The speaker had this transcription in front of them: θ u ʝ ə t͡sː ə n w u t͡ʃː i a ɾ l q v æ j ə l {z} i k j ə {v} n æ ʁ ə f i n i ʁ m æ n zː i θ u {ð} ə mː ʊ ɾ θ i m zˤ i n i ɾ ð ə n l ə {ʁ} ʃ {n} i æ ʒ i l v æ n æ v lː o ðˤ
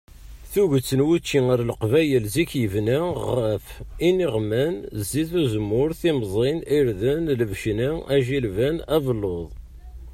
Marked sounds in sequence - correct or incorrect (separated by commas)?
correct, correct, incorrect, incorrect, correct